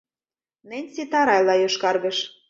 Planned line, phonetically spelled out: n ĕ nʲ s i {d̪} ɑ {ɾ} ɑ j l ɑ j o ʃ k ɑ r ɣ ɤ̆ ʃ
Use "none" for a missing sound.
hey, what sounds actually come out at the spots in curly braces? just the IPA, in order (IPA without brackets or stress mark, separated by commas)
t̪, ɾ